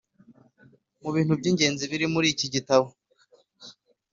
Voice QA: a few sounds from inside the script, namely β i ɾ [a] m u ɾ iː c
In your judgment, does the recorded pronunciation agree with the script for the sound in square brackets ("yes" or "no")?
no